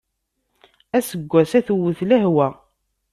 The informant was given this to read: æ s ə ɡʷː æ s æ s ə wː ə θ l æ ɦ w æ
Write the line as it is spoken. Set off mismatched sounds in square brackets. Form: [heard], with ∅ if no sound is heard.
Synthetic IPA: æ s ə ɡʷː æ s æ [θ] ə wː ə θ l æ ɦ w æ